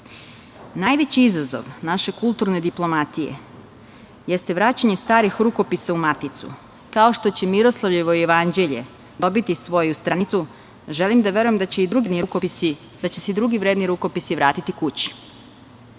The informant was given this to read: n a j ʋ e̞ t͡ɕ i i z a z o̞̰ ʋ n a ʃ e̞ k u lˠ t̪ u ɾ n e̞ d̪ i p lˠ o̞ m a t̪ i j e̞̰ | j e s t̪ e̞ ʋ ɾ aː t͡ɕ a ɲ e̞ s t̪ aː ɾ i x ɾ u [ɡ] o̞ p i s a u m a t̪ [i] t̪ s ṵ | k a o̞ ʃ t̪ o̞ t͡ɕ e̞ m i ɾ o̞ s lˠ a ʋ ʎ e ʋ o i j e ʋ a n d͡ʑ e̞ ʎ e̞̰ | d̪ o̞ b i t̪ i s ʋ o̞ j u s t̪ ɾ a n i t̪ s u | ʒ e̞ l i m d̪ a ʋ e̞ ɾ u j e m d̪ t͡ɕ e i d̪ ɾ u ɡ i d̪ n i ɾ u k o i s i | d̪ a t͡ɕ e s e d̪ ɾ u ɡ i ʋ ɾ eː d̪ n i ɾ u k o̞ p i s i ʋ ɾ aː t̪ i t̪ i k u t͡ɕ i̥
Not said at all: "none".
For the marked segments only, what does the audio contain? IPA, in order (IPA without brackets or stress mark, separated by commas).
k, i